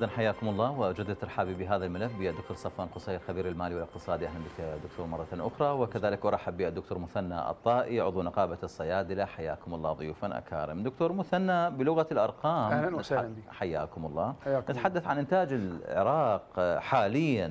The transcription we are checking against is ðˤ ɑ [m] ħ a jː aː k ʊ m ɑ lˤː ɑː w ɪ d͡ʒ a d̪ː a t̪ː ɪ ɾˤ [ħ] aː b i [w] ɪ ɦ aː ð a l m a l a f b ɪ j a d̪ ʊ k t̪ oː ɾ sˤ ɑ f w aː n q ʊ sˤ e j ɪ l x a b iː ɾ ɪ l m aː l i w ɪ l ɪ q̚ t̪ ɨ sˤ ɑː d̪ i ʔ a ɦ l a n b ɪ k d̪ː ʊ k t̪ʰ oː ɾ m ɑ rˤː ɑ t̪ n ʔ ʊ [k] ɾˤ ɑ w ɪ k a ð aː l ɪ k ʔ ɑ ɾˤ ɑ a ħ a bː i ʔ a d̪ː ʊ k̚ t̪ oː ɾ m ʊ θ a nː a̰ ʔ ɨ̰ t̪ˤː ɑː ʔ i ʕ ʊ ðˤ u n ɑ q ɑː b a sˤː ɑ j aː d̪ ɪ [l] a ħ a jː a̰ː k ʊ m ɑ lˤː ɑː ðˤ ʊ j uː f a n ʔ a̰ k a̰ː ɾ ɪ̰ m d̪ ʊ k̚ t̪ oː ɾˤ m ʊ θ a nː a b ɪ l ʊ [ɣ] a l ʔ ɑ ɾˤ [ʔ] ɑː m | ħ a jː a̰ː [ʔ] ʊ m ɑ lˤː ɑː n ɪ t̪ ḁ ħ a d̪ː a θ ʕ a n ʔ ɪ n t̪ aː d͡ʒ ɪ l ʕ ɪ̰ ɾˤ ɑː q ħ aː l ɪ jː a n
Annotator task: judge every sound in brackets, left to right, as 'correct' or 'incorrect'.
incorrect: n, correct, incorrect: b, incorrect: x, correct, correct, incorrect: q, incorrect: k

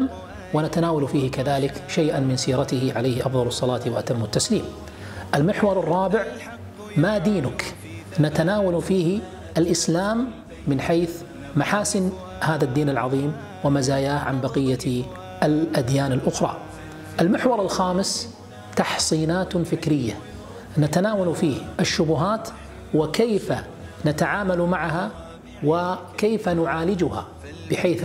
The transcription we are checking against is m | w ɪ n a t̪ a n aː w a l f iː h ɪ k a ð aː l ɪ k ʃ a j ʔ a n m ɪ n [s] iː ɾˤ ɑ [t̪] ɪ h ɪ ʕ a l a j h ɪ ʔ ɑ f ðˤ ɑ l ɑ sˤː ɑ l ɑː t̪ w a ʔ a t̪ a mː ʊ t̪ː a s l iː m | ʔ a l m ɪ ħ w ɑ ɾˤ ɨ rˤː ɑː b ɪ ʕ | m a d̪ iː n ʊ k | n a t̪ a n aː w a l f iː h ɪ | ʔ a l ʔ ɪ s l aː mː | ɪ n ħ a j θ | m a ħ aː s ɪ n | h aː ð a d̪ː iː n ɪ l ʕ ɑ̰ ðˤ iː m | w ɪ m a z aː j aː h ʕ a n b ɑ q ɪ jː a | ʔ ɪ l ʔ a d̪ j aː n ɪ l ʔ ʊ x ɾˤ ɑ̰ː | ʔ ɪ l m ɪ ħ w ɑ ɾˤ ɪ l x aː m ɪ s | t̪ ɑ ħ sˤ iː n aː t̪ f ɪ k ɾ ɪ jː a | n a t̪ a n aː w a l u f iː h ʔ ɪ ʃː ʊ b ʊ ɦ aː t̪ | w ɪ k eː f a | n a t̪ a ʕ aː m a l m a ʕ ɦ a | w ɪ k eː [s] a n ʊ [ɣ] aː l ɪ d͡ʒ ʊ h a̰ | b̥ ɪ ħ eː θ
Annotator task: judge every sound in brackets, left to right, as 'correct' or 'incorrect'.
correct, correct, incorrect: f, incorrect: ʕ

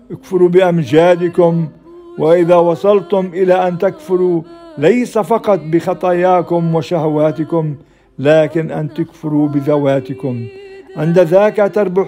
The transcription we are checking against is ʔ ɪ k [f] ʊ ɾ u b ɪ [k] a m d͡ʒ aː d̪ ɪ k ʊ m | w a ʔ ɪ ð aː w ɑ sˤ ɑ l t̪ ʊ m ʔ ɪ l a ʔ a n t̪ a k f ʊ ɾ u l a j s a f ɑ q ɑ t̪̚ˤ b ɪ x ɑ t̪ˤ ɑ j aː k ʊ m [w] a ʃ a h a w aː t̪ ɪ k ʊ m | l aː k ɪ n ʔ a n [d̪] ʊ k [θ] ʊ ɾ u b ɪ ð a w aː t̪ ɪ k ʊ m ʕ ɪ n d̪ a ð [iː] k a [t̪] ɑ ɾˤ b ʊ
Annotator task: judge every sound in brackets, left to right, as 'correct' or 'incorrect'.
correct, incorrect: ʔ, correct, incorrect: t̪, incorrect: f, incorrect: aː, correct

